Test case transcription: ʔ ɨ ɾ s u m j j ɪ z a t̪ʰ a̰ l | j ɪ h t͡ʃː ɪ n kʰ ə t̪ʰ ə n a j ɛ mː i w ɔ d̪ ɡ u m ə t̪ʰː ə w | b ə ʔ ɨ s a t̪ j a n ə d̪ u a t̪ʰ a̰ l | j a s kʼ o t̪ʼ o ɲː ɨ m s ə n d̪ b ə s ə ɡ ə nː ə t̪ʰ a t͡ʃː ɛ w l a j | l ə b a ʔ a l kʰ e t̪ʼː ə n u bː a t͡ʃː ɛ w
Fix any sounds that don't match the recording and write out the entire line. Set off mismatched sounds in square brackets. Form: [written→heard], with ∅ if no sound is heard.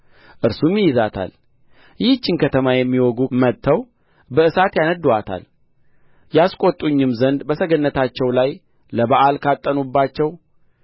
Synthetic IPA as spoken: ʔ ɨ ɾ s u m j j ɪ z a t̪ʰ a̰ l | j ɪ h t͡ʃː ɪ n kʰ ə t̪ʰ ə [n→m] a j ɛ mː i w ɔ [d̪→∅] ɡ u m ə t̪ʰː ə w | b ə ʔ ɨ s a t̪ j a n ə d̪ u a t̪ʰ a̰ l | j a s kʼ o t̪ʼ [o→u] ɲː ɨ m [s→z] ə n d̪ b ə s ə ɡ ə nː ə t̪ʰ a t͡ʃː ɛ w l a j | l ə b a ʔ a l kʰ [e→a] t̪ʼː ə n u bː a t͡ʃː ɛ w